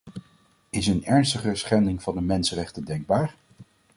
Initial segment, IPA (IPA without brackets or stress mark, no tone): ɪ